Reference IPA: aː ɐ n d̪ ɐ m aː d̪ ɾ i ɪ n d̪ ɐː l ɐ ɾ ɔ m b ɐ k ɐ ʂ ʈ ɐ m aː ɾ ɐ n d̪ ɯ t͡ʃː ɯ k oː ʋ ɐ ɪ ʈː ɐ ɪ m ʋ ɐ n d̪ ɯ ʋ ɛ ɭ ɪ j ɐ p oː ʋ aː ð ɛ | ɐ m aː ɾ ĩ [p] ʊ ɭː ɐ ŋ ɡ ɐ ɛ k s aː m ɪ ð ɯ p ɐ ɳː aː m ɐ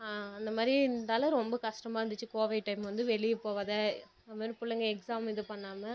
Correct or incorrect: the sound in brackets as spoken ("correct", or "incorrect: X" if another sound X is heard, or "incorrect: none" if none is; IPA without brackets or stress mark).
correct